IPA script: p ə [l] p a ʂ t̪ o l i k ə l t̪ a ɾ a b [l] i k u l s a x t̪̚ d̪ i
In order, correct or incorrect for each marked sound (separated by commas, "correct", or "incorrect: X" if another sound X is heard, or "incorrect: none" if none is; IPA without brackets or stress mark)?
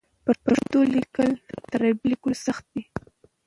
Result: incorrect: ɾ, correct